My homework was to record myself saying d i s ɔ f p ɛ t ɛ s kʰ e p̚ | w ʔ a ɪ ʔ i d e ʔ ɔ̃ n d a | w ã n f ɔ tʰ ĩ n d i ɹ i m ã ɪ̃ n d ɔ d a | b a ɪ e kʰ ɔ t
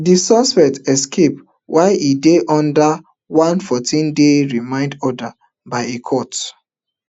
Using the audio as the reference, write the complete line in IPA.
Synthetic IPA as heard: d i s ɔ s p ɛ t ɛ s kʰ e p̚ | w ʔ a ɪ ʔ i d e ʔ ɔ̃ n d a | w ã n f ɔ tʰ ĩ n d e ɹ i m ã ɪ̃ n d ɔ d a | b a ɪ e kʰ ɔ t